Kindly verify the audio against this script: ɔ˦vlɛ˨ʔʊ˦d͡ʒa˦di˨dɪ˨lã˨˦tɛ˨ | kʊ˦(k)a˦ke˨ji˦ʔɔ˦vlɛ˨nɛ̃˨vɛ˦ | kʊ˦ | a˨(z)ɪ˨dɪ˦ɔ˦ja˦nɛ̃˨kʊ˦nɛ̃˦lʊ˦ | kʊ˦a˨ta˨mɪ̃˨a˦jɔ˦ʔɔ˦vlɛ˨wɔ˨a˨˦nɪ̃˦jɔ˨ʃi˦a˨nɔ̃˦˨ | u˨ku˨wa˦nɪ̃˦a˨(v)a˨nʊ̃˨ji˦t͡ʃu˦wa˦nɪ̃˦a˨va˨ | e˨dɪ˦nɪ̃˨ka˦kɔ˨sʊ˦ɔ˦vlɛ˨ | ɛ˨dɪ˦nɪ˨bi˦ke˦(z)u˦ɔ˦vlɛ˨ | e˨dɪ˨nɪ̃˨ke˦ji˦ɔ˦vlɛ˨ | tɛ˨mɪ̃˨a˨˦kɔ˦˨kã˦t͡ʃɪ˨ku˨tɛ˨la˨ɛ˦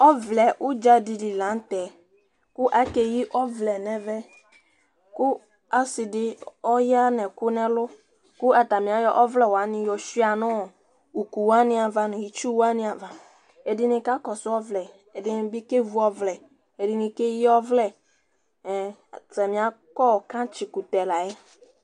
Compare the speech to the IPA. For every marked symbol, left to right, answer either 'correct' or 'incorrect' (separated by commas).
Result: incorrect, incorrect, correct, incorrect